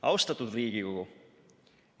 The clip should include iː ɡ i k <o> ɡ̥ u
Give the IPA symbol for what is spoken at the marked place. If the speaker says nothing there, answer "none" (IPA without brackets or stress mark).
o